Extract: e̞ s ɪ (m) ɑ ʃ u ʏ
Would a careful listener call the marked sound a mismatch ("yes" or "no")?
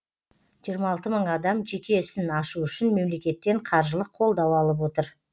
yes